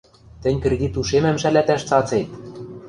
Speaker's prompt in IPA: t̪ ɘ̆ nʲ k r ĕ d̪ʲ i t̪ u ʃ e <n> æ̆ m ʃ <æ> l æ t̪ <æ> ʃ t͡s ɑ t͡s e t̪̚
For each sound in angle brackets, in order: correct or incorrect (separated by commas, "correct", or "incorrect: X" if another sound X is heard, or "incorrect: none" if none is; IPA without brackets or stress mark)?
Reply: incorrect: m, correct, correct